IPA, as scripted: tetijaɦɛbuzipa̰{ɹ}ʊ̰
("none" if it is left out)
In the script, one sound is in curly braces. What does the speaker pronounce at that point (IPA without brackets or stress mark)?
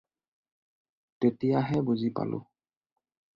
l